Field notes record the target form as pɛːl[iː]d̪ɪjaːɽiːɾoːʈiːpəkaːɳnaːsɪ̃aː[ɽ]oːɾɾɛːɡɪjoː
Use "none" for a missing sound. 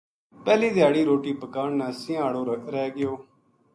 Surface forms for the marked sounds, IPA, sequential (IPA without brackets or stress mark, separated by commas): iː, ɽ